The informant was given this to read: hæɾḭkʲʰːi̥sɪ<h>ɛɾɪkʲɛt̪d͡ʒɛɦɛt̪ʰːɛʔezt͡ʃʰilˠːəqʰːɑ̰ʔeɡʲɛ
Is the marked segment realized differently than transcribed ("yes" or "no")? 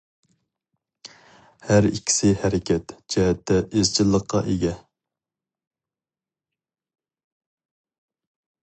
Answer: no